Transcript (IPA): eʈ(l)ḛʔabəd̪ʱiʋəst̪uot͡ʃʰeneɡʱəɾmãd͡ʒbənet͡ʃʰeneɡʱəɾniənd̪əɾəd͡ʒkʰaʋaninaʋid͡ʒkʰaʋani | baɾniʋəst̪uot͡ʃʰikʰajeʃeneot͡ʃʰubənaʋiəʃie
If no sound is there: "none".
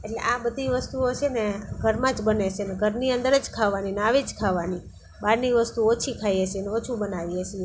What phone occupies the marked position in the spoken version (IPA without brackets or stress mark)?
l